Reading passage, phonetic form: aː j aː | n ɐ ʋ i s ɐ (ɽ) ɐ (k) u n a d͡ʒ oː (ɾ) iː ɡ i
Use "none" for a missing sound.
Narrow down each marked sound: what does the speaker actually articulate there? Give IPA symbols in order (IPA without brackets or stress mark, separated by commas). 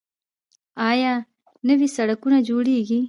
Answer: ɽ, k, ɽ